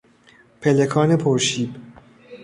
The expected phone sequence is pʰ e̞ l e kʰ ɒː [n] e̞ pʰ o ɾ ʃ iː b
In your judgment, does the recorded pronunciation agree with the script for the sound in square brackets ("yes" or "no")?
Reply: yes